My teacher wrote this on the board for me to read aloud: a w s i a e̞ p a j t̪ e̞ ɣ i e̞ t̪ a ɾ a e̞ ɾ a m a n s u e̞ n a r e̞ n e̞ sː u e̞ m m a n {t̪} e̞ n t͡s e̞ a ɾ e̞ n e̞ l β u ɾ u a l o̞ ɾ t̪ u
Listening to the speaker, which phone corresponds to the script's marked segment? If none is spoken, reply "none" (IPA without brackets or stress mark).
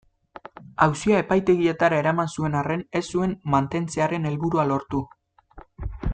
t̪